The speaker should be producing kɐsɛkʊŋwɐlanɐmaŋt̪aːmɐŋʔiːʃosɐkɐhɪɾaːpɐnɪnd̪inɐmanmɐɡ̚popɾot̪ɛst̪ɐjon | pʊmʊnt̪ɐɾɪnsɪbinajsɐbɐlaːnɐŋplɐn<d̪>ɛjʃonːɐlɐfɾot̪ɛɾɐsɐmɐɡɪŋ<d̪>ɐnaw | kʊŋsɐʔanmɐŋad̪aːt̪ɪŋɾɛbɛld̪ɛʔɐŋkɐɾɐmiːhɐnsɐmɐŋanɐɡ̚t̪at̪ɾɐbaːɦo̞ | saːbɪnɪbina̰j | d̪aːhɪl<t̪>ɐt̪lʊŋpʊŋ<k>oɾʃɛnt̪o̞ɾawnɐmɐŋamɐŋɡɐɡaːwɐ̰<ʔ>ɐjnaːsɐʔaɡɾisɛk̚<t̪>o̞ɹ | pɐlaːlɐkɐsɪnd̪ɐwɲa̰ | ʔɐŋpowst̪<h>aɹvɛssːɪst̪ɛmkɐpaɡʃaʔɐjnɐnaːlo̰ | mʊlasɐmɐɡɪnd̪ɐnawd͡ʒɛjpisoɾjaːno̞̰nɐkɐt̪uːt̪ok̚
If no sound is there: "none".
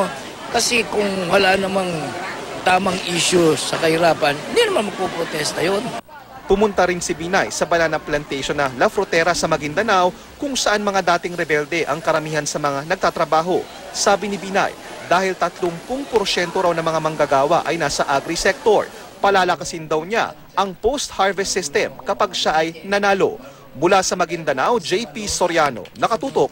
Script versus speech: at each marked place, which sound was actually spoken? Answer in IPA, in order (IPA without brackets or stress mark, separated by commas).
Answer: t̪, d̪, t̪, p, ʔ, t̪, h